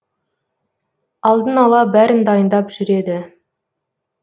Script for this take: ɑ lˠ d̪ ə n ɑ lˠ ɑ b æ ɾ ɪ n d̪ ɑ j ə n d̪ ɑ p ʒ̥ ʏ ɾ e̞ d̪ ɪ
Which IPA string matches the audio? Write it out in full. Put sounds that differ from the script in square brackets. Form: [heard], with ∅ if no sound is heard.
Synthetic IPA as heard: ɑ lˠ d̪ ə n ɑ lˠ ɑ b æ ɾ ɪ n d̪ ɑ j ə n d̪ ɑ p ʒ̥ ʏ ɾ e̞ d̪ ɪ